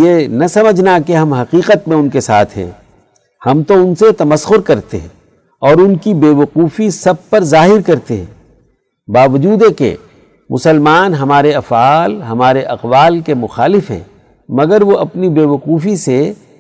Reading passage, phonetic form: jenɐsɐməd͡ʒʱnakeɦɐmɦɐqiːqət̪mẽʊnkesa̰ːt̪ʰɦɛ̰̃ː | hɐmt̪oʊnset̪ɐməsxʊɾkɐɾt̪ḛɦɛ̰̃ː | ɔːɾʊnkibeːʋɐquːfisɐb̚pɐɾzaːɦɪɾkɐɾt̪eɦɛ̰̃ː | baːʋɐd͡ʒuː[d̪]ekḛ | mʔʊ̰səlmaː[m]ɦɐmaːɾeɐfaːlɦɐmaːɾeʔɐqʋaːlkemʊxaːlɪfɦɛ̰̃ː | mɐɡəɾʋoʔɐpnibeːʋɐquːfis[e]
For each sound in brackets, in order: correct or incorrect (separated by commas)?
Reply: correct, incorrect, correct